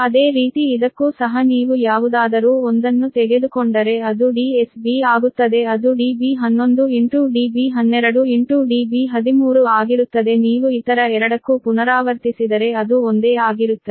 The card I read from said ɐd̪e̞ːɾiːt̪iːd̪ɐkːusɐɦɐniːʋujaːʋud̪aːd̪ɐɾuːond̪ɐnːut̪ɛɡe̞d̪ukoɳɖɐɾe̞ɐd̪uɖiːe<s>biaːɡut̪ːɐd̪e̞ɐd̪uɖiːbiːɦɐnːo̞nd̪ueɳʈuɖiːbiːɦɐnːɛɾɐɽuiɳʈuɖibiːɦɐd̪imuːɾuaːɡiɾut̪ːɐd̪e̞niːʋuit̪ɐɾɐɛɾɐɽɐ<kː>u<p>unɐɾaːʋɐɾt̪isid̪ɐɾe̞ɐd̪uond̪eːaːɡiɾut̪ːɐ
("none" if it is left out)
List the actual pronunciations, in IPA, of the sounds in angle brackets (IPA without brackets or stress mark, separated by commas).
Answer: s, kː, p